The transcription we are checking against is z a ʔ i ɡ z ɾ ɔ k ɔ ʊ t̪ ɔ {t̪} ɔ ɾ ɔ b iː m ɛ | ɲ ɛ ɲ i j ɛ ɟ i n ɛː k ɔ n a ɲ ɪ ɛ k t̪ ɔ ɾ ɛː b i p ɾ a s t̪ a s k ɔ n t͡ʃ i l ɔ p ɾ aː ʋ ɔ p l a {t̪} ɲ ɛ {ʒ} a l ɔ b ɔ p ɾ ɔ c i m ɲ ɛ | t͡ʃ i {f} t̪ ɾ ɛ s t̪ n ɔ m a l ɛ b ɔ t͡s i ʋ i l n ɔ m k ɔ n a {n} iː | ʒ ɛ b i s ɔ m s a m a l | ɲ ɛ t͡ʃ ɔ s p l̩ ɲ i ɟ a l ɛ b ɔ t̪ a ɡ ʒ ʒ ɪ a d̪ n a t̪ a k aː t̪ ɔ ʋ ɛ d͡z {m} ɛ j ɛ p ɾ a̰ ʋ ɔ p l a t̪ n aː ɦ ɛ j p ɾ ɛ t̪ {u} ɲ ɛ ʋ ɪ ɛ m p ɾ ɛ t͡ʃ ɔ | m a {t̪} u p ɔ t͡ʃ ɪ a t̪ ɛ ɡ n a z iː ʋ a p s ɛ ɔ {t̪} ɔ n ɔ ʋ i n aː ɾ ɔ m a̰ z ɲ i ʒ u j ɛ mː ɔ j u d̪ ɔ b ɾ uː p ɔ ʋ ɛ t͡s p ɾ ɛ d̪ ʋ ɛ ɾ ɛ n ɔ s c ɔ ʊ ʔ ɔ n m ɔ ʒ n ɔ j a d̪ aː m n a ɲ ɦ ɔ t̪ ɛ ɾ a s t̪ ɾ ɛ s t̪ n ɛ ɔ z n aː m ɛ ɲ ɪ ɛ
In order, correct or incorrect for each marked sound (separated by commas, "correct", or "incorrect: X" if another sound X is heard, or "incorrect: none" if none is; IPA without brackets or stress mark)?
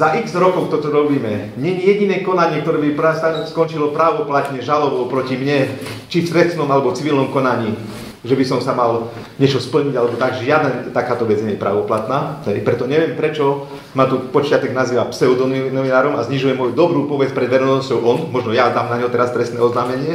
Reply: correct, correct, correct, correct, incorrect: ɲ, incorrect: ɲ, incorrect: ɔ, correct, incorrect: d̪